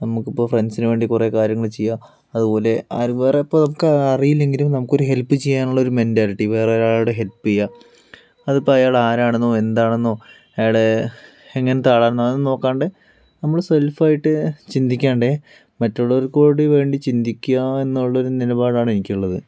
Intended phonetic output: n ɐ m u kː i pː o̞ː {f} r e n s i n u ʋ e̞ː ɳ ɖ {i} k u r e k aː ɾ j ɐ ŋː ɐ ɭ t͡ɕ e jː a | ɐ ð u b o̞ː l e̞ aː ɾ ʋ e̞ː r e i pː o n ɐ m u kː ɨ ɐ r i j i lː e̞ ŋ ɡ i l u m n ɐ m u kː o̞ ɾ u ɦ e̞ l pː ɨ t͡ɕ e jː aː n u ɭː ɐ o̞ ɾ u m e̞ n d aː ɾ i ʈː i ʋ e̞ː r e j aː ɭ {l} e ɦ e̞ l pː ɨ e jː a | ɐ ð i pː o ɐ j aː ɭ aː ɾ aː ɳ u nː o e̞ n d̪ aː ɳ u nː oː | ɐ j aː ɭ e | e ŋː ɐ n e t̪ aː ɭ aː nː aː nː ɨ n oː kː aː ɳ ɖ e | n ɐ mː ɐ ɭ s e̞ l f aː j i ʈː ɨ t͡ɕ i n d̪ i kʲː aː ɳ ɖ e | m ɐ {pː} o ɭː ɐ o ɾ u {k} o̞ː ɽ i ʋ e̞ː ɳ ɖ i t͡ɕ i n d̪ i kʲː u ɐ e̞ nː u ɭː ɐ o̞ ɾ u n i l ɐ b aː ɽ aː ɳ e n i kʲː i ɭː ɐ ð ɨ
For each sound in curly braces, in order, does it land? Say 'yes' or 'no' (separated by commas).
yes, yes, no, no, yes